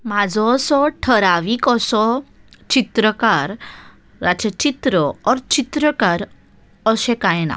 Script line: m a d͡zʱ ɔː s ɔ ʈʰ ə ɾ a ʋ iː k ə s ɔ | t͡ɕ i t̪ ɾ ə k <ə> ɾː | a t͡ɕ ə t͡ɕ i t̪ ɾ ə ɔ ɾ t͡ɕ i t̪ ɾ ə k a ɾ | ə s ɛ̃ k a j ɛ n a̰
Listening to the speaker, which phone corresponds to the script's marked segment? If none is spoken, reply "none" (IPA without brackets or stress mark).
a